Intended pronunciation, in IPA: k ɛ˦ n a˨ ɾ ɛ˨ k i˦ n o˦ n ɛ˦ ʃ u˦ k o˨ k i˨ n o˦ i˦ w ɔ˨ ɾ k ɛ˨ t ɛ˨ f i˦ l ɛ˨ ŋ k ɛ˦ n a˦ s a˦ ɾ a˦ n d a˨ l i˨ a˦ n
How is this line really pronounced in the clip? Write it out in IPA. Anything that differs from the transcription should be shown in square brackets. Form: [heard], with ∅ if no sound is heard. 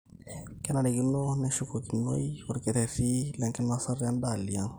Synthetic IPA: k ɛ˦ n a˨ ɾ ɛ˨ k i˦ n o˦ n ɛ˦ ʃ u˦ k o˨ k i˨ n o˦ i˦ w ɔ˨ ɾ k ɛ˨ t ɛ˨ f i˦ l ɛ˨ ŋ k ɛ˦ n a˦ s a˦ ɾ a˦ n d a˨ l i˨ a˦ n